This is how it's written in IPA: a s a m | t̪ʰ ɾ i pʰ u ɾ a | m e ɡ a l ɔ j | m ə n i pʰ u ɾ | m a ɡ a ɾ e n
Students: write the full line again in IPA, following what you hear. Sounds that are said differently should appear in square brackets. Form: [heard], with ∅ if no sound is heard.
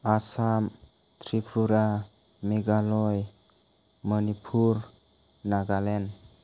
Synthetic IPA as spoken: a s a m | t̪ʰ ɾ i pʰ u ɾ a | m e ɡ a l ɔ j | m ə n i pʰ u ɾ | [n] a ɡ a [l] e n